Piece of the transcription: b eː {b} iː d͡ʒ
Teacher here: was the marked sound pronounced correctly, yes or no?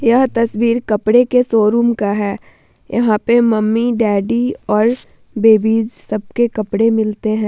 yes